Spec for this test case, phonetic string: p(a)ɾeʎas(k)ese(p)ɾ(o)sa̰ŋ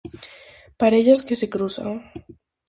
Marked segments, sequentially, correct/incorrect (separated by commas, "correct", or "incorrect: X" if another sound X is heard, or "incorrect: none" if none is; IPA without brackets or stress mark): correct, correct, incorrect: k, incorrect: u